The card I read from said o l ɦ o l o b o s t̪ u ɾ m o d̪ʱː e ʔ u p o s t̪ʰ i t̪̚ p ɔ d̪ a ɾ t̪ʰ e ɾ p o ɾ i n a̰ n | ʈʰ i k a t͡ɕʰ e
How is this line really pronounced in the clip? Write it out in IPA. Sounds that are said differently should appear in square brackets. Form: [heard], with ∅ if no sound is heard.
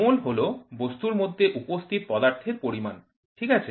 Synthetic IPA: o l ɦ o l o b o s t̪ u ɾ m o d̪ʱː e ʔ u p o s t̪ʰ i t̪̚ p ɔ d̪ a ɾ t̪ʰ e ɾ p o ɾ i [m] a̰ n | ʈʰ i k a t͡ɕʰ e